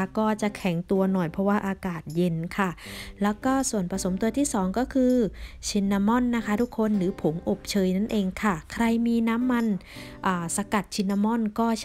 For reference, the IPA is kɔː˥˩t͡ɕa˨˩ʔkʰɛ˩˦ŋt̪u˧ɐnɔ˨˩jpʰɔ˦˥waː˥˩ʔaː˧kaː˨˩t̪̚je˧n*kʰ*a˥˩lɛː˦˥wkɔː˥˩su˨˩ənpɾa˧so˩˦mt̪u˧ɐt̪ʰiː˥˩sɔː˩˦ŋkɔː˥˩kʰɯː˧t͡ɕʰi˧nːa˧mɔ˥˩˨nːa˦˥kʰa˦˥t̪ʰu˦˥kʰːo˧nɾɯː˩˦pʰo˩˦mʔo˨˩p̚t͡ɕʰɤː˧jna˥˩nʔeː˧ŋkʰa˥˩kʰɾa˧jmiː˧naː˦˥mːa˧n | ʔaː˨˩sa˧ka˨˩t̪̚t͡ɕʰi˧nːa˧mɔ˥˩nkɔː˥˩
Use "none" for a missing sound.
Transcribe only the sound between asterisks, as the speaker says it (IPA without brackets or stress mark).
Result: kʰ